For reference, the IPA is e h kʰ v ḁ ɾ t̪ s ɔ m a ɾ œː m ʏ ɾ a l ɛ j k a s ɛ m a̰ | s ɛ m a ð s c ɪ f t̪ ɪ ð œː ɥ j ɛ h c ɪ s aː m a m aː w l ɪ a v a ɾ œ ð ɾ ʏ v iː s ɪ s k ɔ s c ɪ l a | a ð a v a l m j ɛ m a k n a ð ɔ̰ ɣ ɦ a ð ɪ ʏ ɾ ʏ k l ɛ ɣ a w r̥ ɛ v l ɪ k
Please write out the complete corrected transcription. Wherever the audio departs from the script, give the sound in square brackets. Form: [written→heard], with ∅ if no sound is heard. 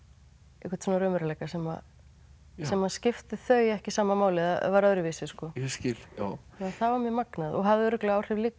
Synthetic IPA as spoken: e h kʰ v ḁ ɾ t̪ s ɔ [m→n] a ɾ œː m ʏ ɾ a l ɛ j k a s ɛ m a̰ | s ɛ m a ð s c ɪ f t̪ ɪ [ð→θ] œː ɥ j ɛ h c ɪ s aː m a m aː w l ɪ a v a ɾ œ ð ɾ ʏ v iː s ɪ s k ɔ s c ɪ l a | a [ð→θ] a v a [l→ɾ] m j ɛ m a k n a ð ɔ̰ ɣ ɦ a ð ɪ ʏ ɾ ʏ k l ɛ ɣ a w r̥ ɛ v l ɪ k